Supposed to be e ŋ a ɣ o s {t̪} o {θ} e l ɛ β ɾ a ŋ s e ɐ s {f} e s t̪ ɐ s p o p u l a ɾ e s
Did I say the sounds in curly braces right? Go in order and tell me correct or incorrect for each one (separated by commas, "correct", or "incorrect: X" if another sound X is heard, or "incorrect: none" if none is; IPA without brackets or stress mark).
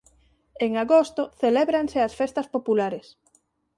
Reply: correct, correct, correct